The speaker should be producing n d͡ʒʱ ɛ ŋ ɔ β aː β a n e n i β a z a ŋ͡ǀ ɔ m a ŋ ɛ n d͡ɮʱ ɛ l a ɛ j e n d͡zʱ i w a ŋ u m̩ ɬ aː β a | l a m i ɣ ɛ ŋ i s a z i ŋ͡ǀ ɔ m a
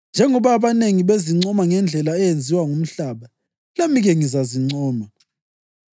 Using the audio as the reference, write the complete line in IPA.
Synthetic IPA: n d͡ʒʱ ɛ ŋ ɔ β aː β a n e ŋ i β e z i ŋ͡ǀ ɔ m a ŋ ɛ n d͡ɮʱ ɛ l a ɛ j e n d͡zʱ i w a ŋ u m̩ ɬ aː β a | l a m i ɣ ɛ ŋ i z a z i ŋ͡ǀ ɔː m a

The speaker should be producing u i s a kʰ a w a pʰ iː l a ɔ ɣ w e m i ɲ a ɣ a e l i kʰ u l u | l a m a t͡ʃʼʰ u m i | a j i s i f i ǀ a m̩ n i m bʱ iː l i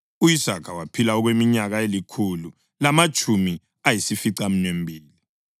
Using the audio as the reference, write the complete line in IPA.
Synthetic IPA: u i s a kʰ a w a pʰ i l a ɔ ɣ w e m i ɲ a ɣ a e l i kʰ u l u | l a m a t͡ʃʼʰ u m i | a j i s i f i ǀ a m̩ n e m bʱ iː l i

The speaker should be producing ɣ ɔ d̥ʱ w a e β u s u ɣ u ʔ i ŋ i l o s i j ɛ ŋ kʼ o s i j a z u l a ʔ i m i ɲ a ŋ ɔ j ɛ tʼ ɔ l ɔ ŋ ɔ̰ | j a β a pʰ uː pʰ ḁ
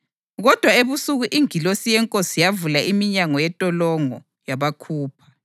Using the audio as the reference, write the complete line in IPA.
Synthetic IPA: ɣ ɔ d̥ʱ w a e β u s u ɣ u ʔ i ŋ i l o s i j ɛ ŋ kʼ o s i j a v u l a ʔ i m i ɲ a ŋ ɔ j ɛ tʼ ɔ l ɔ ŋ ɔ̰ | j a β a kʰ uː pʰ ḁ

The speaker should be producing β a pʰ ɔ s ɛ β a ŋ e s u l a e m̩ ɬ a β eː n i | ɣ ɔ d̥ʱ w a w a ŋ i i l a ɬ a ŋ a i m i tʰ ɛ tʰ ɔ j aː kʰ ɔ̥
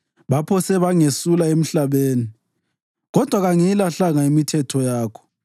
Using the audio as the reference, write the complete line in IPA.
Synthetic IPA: β a pʰ ɔ s ɛ β a ŋ e s u l a e m̩ ɬ a β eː n i | ɣ ɔ d̥ʱ w a ɣ a ŋ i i l a ɬ a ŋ a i m i tʰ ɛ tʰ ɔ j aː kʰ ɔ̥

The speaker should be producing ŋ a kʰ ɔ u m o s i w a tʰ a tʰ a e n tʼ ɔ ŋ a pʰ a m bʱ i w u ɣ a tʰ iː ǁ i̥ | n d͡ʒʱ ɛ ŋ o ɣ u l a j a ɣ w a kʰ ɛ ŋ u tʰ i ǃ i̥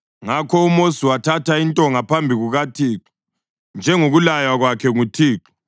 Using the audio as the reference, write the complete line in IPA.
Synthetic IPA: ŋ a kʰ ɔ u m o s i w a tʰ a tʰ a i n tʼ ɔ ŋ a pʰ a m bʱ i ɣ u ɣ a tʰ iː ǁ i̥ | n d͡ʒʱ ɛ ŋ o ɣ u l a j a ɣ w a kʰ ɛ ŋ u tʰ iː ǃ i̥

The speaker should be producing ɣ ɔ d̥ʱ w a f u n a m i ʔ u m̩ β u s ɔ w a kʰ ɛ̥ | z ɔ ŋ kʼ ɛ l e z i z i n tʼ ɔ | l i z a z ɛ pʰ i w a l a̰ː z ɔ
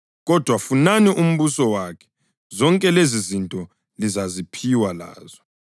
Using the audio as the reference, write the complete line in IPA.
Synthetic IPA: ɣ ɔ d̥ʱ w a f u n a n i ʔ u m̩ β u s ɔ w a kʰ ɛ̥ | z ɔ ŋ kʼ ɛ l e z i z i n tʼ ɔ | l i z a z i pʰ i w a l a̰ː z ɔ

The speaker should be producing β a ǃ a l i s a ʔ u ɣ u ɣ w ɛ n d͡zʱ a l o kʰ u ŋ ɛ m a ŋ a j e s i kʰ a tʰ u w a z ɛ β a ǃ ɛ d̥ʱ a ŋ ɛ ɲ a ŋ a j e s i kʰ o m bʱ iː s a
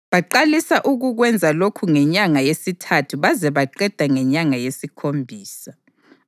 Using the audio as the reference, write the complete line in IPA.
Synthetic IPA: β a ǃ a l i s a ʔ u ɣ u ɣ w ɛ n d͡zʱ a l o kʰ u ŋ ɛ ɲ a ŋ a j e s i tʰ a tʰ u β a z ɛ β a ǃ ɛ d̥ʱ a ŋ ɛ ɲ a ŋ a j e s i kʰ o m bʱ iː s a

